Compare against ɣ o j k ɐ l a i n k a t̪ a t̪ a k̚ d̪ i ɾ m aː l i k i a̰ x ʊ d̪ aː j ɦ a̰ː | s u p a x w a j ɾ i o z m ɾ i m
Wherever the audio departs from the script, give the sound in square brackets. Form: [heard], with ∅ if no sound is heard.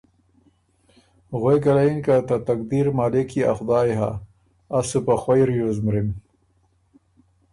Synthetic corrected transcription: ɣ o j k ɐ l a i n k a t̪ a t̪ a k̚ d̪ i ɾ m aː l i k i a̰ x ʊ d̪ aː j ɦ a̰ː | s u p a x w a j ɾ [j] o z m ɾ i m